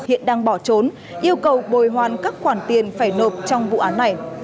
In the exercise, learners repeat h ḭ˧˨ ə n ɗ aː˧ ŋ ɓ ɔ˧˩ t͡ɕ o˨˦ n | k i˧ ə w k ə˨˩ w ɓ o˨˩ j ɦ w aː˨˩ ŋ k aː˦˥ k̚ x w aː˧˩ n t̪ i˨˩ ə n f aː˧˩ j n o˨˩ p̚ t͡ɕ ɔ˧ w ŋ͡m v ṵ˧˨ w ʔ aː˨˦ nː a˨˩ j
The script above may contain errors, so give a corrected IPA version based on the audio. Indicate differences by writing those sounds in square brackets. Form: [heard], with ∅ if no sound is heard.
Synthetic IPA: h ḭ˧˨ ə n ɗ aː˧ ŋ ɓ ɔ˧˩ t͡ɕ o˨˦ n | [ʔ] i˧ ə w k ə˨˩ w ɓ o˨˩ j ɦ w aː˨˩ [n] k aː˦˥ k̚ x w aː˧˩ n t̪ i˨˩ ə n f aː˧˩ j n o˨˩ p̚ t͡ɕ ɔ˧ w ŋ͡m v ṵ˧˨ [∅] ʔ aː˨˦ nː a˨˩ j